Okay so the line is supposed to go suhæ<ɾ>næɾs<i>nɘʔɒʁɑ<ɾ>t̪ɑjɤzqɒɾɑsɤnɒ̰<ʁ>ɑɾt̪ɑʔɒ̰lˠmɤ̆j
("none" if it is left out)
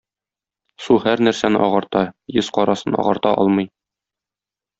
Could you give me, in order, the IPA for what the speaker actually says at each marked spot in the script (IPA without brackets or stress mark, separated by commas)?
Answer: ɾ, æ, ɾ, ʁ